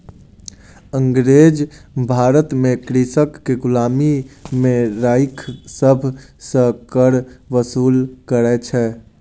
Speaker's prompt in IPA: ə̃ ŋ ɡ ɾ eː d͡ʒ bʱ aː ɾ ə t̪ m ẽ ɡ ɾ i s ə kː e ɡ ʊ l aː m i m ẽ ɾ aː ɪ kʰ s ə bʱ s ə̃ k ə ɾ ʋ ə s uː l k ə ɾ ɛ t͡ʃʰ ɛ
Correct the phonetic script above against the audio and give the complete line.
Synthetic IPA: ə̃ ŋ ɡ ɾ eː d͡ʒ bʱ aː ɾ ə t̪ m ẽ k ɾ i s ə kː e ɡ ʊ l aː m i m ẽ ɾ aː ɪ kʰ s ə bʱ s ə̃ k ə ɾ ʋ ə s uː l k ə ɾ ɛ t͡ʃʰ ɛ